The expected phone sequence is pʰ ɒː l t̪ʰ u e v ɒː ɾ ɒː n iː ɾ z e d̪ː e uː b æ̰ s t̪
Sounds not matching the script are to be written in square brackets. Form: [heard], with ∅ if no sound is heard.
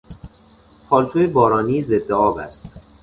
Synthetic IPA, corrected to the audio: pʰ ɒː l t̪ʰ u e [b] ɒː ɾ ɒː n iː [∅] z e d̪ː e [ɒː] b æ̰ s t̪